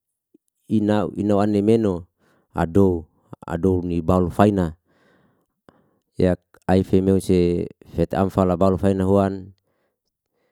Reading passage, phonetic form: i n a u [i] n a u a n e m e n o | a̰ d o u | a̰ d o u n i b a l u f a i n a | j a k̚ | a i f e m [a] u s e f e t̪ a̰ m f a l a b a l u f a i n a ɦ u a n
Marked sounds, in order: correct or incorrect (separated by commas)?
correct, incorrect